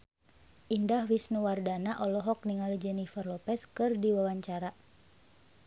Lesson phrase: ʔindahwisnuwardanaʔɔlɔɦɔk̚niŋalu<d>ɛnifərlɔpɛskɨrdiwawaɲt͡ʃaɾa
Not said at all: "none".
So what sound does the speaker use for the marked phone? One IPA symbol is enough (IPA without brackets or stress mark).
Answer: d͡ʒ